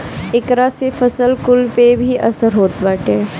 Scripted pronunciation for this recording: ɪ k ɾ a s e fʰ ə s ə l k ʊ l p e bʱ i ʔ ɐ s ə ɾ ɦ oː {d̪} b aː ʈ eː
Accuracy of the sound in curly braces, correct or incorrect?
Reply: incorrect